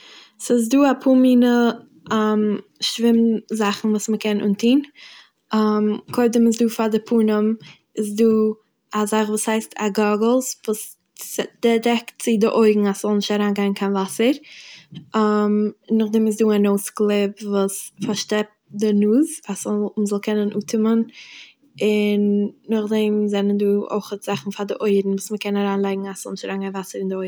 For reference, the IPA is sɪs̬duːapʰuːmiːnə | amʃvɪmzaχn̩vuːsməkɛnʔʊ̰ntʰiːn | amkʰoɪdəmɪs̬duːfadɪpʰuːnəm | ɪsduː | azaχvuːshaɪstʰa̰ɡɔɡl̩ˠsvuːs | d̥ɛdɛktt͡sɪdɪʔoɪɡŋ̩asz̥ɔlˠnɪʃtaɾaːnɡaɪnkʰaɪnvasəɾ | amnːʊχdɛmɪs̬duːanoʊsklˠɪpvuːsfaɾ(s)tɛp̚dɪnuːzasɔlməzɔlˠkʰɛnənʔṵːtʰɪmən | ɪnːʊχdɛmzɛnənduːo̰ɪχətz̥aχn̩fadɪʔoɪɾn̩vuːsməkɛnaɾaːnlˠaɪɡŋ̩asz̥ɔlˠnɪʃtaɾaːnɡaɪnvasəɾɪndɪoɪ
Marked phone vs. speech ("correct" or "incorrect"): incorrect